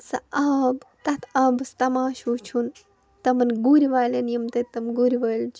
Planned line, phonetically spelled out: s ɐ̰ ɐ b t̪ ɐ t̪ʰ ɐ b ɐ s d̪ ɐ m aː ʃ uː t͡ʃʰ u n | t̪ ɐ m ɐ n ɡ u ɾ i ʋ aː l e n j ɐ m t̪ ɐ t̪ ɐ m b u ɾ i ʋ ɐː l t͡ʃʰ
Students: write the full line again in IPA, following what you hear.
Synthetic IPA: s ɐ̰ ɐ b t̪ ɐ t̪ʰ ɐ b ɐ s t̪ ɐ m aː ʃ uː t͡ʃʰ u n | t̪ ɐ m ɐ n ɡ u ɾ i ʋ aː l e n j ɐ m t̪ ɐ t̪ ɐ m ɡ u ɾ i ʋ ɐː l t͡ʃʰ